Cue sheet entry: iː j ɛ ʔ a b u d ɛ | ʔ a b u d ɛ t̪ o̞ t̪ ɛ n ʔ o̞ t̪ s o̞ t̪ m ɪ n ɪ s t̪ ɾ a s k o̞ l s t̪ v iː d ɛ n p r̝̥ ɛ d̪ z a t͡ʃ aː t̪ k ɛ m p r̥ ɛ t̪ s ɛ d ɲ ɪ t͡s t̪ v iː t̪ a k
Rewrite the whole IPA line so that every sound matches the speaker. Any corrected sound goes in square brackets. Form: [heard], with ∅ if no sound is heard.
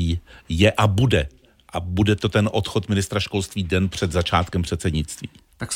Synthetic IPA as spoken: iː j ɛ ʔ a b u d ɛ | ʔ a b u d ɛ t̪ o̞ t̪ ɛ n ʔ o̞ t̪ [x] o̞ t̪ m ɪ n ɪ s t̪ ɾ a [ʃ] k o̞ l s t̪ v iː d ɛ n p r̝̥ ɛ d̪ z a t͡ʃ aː t̪ k ɛ m p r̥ ɛ t̪ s ɛ d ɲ ɪ t͡s t̪ v iː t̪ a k